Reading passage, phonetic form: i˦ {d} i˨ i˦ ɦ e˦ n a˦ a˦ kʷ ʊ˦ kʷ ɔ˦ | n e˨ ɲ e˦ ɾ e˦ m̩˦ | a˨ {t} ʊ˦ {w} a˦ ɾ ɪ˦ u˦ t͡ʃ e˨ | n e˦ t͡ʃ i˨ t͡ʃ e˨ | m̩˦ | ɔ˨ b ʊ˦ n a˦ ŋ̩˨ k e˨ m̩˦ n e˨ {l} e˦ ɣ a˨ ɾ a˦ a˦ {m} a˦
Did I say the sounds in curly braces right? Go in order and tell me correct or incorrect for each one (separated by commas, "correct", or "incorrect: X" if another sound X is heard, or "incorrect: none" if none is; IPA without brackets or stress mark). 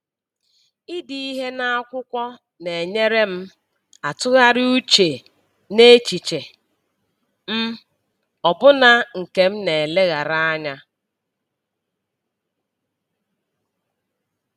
correct, correct, incorrect: ɣ, correct, incorrect: ɲ